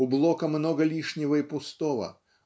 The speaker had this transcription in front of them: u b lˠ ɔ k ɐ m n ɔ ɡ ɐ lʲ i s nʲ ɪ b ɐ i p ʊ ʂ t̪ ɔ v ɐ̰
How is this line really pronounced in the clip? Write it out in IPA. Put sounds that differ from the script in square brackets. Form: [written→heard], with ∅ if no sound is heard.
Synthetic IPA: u b lˠ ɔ k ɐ m n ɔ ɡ ɐ lʲ i [s→ʂ] nʲ ɪ [b→v] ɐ i p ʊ [ʂ→s] t̪ ɔ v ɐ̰